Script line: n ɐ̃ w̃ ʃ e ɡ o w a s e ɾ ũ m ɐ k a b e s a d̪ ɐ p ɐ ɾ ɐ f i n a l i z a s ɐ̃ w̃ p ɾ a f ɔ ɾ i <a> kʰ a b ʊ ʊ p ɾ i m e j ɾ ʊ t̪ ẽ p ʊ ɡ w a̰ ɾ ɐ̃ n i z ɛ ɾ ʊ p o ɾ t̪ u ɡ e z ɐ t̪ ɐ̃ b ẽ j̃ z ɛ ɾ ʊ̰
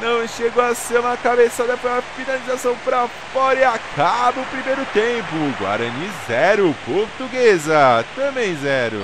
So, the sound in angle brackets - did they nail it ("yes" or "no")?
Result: yes